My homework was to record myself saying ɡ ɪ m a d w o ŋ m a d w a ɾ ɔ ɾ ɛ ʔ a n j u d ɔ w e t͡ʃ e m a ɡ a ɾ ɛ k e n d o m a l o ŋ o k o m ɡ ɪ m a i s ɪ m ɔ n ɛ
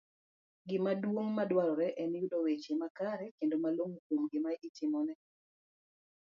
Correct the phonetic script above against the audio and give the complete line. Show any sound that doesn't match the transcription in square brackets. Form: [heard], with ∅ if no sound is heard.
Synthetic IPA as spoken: ɡ ɪ m a d w o ŋ m a d w a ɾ ɔ ɾ ɛ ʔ [ɛ] n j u d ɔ w e t͡ʃ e m a [k] a ɾ ɛ k e n d o m a l o ŋ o k o m ɡ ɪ m a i [t] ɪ m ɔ n ɛ